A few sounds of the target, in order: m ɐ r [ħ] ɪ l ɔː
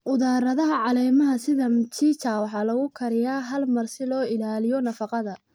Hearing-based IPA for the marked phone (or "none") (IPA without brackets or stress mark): s